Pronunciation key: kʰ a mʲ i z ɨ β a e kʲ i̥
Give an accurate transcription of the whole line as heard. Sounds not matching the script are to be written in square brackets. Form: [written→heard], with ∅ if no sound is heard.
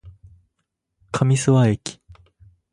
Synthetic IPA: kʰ a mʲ i [z→s] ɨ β a e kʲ i̥